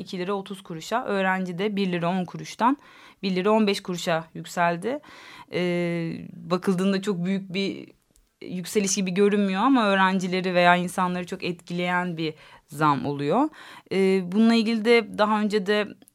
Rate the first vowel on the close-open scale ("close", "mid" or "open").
close